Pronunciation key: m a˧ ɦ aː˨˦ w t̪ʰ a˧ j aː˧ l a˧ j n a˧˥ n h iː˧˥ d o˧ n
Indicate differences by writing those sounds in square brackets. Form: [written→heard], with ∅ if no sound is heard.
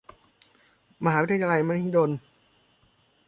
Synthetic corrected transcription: m a˧ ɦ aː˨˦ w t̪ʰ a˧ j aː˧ l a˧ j [n→m] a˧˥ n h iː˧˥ d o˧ n